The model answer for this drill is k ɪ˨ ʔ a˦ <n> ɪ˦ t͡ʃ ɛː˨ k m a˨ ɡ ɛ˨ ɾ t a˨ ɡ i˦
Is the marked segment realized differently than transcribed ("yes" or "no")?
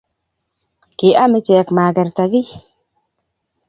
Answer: yes